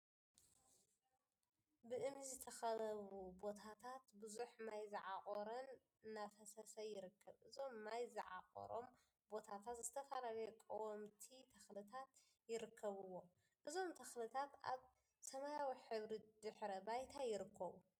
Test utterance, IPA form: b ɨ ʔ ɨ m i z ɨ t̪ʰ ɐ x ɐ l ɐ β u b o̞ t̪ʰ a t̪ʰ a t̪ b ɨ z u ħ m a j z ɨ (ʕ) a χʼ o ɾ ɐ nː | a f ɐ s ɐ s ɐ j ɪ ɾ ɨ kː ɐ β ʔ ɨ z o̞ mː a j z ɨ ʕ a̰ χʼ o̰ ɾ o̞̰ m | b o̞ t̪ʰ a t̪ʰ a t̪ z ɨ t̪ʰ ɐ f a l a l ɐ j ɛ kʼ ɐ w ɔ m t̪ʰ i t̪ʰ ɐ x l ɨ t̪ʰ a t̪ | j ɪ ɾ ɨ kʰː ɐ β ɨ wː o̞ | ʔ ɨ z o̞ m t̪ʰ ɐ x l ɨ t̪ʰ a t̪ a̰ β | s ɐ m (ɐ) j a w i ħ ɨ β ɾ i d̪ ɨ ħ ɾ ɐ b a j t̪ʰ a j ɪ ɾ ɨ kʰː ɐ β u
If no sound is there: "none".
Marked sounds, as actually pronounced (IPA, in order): ʕ, a

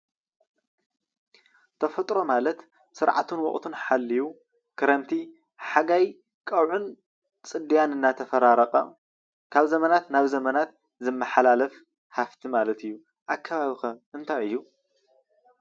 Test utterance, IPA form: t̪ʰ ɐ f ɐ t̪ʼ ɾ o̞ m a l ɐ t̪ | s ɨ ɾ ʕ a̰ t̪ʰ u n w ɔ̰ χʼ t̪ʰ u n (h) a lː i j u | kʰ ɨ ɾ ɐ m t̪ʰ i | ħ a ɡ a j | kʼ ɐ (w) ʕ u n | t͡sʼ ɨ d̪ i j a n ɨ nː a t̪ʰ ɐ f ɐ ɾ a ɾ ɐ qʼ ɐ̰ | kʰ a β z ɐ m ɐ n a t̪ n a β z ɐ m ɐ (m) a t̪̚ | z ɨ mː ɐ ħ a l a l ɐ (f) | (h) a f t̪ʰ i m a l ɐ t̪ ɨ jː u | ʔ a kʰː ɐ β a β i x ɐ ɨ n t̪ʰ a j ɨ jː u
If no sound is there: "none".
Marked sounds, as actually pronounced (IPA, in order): ħ, w, n, f, h

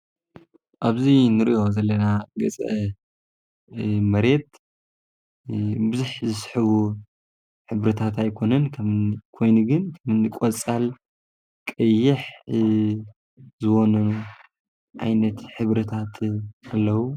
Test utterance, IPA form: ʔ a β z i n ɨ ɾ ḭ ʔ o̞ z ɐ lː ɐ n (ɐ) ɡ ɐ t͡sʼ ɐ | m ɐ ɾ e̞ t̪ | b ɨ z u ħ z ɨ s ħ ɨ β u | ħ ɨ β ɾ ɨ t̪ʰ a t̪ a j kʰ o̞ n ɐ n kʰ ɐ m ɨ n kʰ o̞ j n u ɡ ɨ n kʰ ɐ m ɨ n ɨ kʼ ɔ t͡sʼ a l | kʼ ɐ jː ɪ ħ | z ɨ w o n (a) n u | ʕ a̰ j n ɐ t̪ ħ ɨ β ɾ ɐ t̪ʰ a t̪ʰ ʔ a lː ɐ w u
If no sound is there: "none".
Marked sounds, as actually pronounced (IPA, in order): a, ɐ

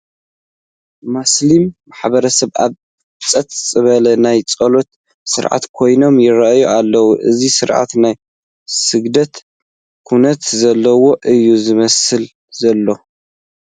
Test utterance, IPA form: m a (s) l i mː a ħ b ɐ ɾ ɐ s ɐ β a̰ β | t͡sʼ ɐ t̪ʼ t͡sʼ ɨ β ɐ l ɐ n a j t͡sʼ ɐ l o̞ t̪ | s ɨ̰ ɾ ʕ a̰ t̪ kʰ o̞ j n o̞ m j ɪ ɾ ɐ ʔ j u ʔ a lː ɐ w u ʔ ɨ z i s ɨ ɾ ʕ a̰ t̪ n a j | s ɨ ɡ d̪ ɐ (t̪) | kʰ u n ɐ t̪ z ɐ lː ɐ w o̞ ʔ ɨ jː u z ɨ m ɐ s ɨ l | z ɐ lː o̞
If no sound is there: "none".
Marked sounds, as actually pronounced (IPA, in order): s, t̪

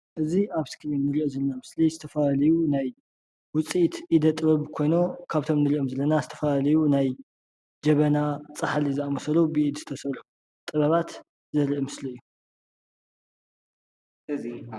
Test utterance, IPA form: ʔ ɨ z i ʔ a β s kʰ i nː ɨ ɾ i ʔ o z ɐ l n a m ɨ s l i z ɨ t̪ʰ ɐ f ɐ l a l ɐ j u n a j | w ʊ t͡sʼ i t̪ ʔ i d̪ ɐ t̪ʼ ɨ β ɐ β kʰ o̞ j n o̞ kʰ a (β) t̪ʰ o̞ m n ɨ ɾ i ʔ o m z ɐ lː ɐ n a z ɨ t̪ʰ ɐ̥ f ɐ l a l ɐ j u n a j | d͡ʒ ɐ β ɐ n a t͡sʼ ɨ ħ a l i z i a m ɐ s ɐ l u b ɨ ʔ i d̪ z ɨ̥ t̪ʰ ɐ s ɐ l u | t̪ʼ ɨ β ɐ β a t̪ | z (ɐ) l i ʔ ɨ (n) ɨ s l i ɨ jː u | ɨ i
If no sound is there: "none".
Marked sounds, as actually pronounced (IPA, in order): β, ɐ, m

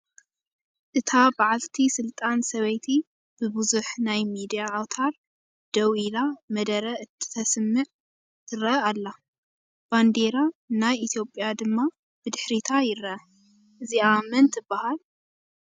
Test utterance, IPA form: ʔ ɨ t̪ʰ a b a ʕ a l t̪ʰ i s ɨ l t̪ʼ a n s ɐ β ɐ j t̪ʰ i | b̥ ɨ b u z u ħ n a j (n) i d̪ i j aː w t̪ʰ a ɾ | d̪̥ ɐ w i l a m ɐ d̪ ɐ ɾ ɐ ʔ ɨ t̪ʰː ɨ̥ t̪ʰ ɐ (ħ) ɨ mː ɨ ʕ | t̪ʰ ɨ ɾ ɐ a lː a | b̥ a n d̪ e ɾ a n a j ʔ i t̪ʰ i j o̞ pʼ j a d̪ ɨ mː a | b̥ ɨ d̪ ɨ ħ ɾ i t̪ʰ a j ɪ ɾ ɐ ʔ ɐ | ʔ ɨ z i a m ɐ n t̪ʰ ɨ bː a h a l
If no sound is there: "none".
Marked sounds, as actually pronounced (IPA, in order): m, s

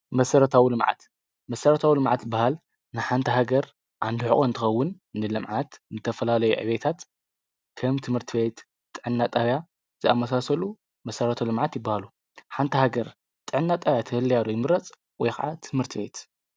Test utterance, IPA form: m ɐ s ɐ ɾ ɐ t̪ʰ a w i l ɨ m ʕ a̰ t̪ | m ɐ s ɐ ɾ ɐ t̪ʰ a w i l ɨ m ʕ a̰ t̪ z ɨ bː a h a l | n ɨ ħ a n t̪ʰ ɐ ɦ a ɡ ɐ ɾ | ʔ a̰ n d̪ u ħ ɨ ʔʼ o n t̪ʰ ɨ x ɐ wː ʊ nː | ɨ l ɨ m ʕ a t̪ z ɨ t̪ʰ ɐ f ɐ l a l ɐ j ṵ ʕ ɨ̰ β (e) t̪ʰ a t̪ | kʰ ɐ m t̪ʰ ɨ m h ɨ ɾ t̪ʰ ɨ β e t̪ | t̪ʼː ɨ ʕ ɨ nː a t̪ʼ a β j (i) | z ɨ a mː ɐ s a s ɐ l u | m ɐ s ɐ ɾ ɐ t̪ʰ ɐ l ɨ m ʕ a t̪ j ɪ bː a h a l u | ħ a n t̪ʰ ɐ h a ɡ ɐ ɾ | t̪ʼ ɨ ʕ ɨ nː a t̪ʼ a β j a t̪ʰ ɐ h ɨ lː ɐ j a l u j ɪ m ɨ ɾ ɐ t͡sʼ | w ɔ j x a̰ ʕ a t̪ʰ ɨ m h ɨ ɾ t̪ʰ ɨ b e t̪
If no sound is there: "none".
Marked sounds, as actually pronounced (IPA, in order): e, a

